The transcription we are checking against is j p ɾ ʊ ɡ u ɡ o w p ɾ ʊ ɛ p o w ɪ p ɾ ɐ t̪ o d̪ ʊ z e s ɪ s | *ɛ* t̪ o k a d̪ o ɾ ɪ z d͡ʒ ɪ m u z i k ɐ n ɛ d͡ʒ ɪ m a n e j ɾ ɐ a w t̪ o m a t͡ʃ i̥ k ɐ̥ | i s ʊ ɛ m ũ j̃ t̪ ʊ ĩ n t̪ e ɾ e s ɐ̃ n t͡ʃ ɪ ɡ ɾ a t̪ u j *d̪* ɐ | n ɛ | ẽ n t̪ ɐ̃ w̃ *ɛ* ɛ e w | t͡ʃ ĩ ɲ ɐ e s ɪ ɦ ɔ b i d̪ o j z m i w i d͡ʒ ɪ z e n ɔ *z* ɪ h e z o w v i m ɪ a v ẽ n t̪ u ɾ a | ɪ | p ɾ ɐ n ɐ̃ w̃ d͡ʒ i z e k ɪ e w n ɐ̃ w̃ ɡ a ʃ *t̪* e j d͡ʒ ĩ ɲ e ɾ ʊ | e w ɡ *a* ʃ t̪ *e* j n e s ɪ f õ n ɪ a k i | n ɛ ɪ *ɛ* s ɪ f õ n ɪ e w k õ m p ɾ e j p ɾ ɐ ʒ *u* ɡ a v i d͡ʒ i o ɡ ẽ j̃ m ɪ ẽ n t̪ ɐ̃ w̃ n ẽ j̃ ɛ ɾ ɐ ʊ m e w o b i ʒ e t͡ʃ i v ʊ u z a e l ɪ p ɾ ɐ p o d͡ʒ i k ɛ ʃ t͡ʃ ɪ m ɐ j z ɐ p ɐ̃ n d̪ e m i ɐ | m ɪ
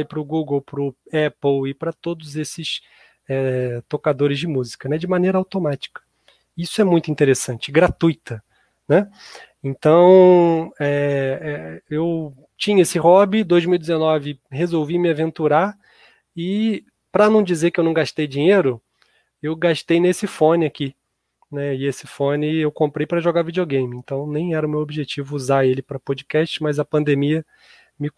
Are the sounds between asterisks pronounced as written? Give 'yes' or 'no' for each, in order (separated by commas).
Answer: yes, no, yes, no, yes, yes, yes, no, no